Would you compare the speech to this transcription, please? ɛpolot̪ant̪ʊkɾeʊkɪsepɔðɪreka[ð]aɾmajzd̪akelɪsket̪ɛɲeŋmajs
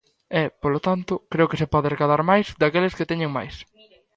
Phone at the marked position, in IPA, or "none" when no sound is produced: ð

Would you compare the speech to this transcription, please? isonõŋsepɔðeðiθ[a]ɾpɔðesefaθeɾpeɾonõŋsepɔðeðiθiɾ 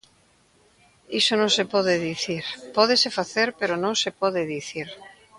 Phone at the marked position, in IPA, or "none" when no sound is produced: i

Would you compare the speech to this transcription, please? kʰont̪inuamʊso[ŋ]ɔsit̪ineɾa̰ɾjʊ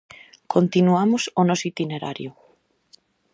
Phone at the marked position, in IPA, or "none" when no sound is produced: n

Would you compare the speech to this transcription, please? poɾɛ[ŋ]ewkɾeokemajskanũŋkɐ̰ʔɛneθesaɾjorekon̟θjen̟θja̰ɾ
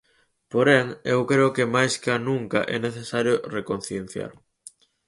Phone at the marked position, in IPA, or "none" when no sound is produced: ŋ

